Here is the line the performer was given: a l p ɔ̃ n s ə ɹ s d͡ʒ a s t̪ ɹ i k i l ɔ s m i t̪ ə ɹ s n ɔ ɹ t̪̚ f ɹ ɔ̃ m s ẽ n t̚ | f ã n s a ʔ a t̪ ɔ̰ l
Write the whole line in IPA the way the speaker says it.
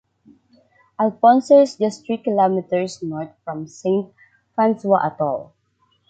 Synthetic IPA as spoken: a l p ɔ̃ n s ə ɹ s d͡ʒ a s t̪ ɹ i k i l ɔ m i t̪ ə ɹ s n ɔ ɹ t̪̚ f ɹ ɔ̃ m s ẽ n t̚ | f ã n s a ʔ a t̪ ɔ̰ l